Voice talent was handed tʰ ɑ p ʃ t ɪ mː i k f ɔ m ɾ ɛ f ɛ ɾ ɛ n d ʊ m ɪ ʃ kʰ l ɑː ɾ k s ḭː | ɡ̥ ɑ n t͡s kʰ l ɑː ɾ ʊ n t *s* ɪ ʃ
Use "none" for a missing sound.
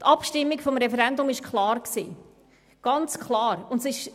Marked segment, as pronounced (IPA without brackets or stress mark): s